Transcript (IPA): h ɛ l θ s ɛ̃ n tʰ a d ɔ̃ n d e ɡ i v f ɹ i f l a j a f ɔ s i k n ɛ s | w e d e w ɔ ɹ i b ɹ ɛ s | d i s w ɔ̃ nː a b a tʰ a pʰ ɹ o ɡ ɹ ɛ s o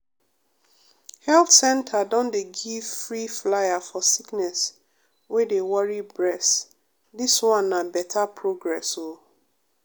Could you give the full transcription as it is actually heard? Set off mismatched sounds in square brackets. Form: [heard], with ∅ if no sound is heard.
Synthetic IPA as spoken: h ɛ l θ s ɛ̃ n tʰ a d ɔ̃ n d e ɡ i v f ɹ i f l a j a f ɔ s i k n ɛ s | w e d e w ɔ ɹ i b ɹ ɛ s | d i s w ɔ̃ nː a b [ɛ] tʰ a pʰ ɹ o ɡ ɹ ɛ s o